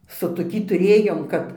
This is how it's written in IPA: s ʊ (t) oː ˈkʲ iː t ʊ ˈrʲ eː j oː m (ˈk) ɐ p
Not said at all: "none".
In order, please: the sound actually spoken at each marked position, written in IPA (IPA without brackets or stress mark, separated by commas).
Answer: t, k